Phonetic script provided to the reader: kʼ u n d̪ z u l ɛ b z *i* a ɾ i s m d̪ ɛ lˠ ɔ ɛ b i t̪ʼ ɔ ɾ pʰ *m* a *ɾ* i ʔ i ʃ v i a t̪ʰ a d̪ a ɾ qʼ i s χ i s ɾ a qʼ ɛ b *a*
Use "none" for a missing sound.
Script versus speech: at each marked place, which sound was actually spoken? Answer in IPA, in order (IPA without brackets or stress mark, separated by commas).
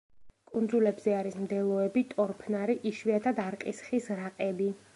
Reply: ɛ, n, ɾ, i